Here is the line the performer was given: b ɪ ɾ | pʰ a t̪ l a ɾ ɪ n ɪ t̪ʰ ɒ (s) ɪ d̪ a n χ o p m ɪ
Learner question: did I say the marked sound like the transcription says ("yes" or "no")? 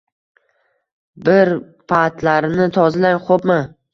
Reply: no